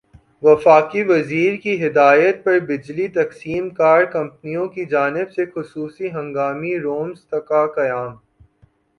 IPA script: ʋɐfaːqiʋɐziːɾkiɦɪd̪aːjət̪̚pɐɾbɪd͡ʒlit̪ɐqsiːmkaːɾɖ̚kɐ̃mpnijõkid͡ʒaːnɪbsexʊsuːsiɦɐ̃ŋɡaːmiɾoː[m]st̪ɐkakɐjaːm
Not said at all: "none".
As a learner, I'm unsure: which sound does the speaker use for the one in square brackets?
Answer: m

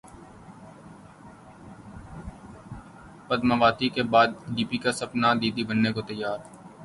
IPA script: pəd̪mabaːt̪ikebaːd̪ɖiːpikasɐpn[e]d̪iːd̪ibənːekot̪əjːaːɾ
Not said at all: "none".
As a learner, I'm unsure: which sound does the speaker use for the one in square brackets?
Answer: a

